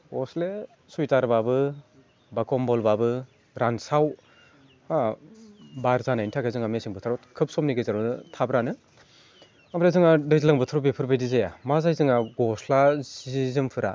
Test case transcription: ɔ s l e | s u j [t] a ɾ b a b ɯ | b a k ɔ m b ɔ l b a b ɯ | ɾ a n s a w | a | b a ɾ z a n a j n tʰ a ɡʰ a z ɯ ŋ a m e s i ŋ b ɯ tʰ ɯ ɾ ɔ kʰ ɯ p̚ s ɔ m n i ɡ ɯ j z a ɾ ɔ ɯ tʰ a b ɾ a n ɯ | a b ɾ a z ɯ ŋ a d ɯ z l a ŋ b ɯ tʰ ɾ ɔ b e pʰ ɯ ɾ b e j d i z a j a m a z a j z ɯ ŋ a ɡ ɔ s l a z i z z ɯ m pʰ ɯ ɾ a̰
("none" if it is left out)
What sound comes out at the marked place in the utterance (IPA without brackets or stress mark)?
t